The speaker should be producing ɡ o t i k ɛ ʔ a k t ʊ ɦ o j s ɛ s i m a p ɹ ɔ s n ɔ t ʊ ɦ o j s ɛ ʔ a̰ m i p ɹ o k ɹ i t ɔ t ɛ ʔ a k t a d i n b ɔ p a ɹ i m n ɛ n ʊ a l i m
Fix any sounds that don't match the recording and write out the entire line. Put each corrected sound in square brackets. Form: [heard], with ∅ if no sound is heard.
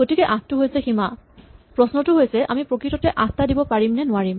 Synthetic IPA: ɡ o t i k ɛ ʔ a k t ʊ ɦ o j s ɛ [x] i m a p ɹ ɔ s n ɔ t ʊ ɦ o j s ɛ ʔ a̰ m i p ɹ o k ɹ i t ɔ t ɛ ʔ a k t a d i [∅] b ɔ p a ɹ i m n ɛ n ʊ a [ɹ] i m